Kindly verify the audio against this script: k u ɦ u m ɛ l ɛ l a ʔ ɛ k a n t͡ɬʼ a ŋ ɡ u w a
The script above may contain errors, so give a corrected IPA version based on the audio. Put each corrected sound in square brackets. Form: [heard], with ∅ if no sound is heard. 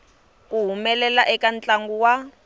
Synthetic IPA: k u ɦ u m ɛ l ɛ l a ʔ ɛ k a n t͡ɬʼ a ŋ ɡ u w a